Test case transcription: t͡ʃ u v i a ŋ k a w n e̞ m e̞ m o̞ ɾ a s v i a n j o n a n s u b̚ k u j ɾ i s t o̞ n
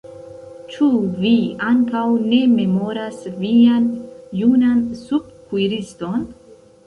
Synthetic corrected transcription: t͡ʃ u v i a ŋ k a w n e̞ m e̞ m o̞ ɾ a s v i a n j u n a n s u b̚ k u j ɾ i s t o̞ n

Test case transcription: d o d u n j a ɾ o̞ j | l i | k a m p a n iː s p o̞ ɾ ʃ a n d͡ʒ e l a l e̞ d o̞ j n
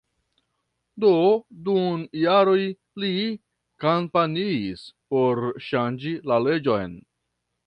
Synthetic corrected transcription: d o d u n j a ɾ o̞ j | l i | k a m p a n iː s p o̞ ɾ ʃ a n d͡ʒ i l a l e̞ d͡ʒ o̞ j n

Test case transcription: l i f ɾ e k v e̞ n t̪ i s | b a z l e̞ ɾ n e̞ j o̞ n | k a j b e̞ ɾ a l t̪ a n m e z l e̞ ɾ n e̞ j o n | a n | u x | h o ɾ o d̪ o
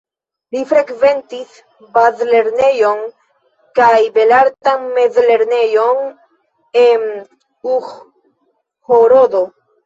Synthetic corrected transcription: l i f ɾ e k v e̞ n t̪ i s | b a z l e̞ ɾ n e̞ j o̞ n | k a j b e̞ l a ɾ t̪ a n m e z l e̞ ɾ n e̞ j o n | e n | u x | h o ɾ o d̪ o

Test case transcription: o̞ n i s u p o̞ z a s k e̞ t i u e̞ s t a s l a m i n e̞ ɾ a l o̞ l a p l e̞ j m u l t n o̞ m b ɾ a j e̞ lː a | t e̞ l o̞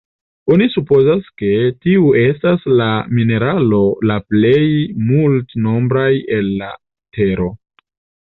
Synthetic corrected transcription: o̞ n i s u p o̞ z a s k e̞ t i u e̞ s t a s l a m i n e̞ ɾ a l o̞ l a p l e̞ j m u l t n o̞ m b ɾ a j e̞ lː a | t e̞ ɾ o̞

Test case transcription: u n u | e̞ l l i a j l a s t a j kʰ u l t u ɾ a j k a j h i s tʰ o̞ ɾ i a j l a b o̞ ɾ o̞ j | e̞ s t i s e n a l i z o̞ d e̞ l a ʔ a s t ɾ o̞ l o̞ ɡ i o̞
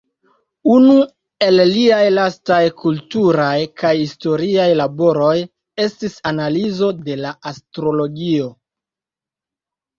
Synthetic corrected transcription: u n u | e̞ l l i a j l a s t a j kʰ u l t u ɾ a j k a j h i s t o̞ ɾ i a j l a b o̞ ɾ o̞ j | e̞ s t i s a n a l i z o̞ d e̞ l a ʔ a s t ɾ o̞ l o̞ ɡ i o̞

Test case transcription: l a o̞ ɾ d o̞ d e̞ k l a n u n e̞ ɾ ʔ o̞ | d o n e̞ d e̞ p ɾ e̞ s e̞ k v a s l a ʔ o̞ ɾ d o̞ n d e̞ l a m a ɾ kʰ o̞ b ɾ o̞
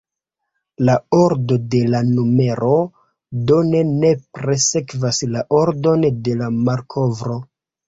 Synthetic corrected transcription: l a o̞ ɾ d o̞ d e̞ l a n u m e̞ ɾ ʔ o̞ | d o n e̞ n e̞ p ɾ e̞ s e̞ k v a s l a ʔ o̞ ɾ d o̞ n d e̞ l a m a ɾ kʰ o̞ v ɾ o̞

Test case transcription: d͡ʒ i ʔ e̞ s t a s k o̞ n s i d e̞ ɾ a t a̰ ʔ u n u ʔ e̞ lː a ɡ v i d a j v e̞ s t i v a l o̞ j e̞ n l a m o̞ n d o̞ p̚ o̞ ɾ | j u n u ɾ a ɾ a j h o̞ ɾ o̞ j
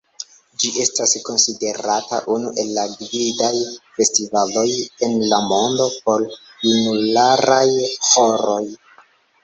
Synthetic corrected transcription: d͡ʒ i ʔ e̞ s t a s k o̞ n s i d e̞ ɾ a t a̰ ʔ u n u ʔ e̞ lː a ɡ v i d a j f e̞ s t i v a l o̞ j e̞ n l a m o̞ n d o̞ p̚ o̞ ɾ | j u n u l a ɾ a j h o̞ ɾ o̞ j

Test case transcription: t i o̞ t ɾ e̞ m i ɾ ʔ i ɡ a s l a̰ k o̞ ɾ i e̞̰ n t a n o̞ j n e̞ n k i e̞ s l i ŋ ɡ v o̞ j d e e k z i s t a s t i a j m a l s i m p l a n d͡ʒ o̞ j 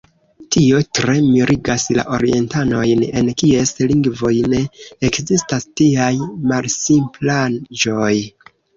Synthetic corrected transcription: t i o̞ t ɾ e̞ m i ɾ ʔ i ɡ a s l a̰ ʔ o̞ ɾ i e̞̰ n t a n o̞ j n e̞ n k i e̞ s l i ŋ ɡ v o̞ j n e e k z i s t a s t i a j m a l s i m p l a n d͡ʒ o̞ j

